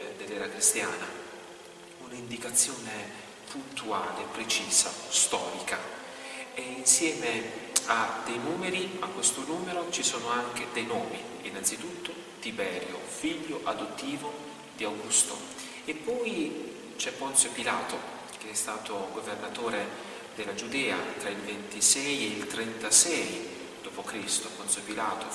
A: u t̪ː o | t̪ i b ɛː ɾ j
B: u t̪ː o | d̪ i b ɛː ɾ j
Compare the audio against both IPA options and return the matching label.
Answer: A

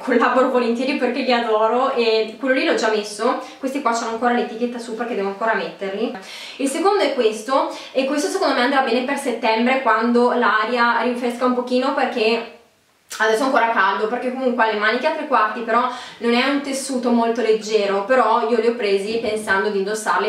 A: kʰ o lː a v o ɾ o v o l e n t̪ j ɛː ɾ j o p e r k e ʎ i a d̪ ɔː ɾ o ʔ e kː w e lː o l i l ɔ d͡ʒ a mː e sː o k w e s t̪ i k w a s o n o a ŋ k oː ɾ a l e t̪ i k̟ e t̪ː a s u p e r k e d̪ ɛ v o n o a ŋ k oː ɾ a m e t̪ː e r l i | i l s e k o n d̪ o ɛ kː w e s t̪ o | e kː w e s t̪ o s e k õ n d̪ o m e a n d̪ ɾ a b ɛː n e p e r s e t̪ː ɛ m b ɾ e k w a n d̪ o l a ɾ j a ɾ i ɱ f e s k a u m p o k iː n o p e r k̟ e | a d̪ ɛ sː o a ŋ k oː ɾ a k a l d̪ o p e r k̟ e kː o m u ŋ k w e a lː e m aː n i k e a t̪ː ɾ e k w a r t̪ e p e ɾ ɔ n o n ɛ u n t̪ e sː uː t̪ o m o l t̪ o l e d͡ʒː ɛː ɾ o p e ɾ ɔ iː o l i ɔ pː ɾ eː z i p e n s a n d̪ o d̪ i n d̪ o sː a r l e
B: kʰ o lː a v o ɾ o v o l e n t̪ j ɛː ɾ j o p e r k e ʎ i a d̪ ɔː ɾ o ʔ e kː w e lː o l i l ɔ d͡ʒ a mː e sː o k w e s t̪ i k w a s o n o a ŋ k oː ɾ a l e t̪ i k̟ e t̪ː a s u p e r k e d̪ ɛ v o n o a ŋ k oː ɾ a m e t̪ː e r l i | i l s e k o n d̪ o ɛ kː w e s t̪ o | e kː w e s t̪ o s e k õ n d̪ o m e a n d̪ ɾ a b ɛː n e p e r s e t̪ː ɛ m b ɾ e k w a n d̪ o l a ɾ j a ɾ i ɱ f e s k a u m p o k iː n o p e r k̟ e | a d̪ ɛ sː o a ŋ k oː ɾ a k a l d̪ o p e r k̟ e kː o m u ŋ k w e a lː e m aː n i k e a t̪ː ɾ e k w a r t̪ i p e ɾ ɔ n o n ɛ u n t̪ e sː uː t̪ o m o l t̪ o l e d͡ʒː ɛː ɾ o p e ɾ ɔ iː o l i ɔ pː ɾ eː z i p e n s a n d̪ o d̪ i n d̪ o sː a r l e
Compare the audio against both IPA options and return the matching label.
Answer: B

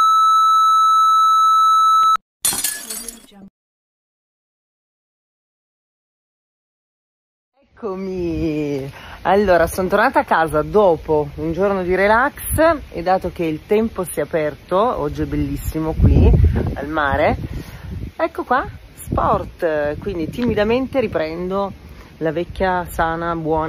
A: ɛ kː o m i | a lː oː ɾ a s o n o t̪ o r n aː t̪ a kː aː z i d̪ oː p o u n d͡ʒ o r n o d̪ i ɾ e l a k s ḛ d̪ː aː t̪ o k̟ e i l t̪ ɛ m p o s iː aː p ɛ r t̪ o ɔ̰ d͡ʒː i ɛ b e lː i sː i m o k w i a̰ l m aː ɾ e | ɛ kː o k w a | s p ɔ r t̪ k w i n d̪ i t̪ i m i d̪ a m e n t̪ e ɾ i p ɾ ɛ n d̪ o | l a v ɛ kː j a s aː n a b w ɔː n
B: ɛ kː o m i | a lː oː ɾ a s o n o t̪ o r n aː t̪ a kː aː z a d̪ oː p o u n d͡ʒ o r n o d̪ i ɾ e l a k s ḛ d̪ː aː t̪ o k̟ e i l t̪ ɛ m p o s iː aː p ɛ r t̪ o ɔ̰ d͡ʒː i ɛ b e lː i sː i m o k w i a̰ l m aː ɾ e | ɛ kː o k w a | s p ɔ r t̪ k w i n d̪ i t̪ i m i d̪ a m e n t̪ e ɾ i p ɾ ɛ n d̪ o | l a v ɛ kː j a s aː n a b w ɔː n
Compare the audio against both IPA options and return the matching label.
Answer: B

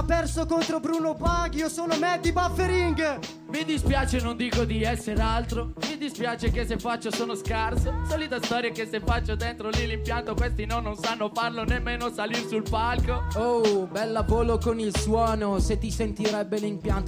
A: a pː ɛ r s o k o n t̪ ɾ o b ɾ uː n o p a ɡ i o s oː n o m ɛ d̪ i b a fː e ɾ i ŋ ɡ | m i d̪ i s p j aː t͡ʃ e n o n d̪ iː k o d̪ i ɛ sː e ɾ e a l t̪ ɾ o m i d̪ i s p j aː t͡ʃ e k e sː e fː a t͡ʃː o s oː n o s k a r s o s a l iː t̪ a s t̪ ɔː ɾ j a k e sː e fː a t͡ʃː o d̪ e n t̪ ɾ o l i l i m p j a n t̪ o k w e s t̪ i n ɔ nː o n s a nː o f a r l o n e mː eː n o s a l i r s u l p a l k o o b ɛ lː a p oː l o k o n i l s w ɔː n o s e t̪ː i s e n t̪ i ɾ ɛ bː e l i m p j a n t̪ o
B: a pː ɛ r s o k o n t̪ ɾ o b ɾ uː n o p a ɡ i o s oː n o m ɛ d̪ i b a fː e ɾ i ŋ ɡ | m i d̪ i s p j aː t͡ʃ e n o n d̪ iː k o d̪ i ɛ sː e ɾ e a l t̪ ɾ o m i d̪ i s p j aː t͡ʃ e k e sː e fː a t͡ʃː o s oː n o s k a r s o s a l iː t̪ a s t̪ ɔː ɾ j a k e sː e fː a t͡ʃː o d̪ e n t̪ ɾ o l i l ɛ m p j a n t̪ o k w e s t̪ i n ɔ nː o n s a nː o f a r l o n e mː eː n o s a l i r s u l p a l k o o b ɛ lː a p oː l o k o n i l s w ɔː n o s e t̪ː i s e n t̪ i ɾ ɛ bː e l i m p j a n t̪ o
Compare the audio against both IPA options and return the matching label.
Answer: A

